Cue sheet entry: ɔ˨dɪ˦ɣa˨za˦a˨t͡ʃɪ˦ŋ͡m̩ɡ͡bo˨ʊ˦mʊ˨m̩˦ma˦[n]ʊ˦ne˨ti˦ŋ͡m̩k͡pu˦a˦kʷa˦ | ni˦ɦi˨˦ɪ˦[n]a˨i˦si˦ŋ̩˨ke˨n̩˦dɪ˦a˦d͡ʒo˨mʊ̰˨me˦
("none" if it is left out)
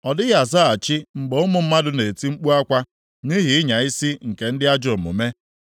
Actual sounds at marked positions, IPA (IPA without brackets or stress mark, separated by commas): d, ɲ